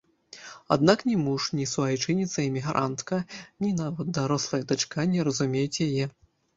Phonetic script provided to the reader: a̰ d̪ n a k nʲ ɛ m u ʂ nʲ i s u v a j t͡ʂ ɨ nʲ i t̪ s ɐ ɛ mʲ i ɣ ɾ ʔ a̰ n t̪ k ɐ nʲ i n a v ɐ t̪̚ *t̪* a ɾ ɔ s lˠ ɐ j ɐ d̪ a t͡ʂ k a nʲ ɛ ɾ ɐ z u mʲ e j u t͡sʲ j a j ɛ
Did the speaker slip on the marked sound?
yes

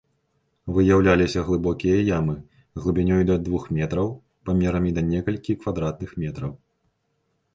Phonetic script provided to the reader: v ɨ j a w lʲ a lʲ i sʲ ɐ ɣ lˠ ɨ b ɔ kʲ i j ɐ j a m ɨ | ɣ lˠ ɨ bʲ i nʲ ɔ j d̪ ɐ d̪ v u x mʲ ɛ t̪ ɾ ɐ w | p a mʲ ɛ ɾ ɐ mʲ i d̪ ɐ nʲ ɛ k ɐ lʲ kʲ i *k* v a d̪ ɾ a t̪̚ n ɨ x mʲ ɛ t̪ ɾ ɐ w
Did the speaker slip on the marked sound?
no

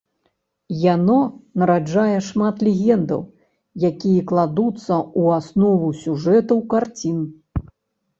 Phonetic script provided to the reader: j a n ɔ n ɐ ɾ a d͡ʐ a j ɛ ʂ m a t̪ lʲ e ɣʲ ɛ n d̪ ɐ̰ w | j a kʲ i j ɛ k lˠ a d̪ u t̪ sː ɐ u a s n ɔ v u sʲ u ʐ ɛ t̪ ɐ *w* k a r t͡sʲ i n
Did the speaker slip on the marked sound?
no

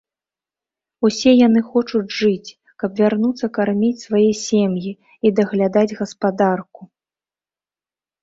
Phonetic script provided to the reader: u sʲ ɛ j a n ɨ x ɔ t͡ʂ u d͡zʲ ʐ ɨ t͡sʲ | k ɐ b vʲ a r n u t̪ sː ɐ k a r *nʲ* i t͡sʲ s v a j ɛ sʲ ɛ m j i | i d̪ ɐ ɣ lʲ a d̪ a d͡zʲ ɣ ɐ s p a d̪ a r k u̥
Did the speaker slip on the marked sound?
yes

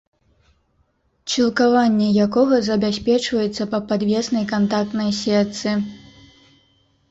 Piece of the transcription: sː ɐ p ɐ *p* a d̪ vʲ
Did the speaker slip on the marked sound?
no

